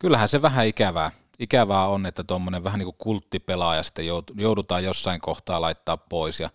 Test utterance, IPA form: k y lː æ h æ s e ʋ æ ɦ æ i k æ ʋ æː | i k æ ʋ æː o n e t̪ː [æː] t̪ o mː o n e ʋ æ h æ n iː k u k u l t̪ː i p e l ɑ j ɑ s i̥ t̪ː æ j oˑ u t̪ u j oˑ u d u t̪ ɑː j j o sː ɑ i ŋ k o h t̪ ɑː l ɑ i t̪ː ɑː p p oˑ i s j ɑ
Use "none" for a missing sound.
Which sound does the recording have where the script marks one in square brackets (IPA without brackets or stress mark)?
æ